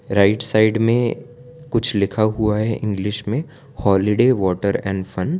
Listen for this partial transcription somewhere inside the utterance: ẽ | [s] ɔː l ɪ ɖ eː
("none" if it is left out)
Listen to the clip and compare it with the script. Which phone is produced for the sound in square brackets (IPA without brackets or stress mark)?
h